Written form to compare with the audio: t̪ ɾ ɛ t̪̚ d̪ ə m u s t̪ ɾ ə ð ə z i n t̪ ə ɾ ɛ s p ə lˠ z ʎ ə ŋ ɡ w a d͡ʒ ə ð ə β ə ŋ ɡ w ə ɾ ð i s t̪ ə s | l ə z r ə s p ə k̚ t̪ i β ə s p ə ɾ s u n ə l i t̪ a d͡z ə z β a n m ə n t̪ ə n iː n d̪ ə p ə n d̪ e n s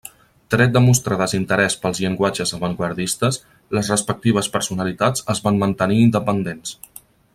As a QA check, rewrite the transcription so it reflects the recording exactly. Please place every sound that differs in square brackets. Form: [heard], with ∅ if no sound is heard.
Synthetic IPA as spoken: t̪ ɾ ɛ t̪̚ d̪ ə m u s t̪ ɾ ə ð ə z i n t̪ ə ɾ ɛ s p ə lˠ z ʎ ə ŋ ɡ w a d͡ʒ ə [z] ə β ə ŋ ɡ w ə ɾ ð i s t̪ ə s | l ə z r ə s p ə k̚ t̪ i β ə s p ə ɾ s u n ə l i t̪ a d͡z ə z β a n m ə n t̪ ə n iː n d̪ ə p ə n d̪ e n s